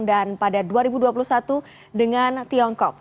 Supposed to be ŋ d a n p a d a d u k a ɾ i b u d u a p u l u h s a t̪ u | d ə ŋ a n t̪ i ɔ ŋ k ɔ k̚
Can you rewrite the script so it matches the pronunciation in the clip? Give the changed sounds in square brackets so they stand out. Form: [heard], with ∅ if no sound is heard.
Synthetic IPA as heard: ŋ d a n p a d a d u [∅] a ɾ i b u d u a p u l u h s a t̪ u | d ə ŋ a n t̪ i ɔ ŋ k ɔ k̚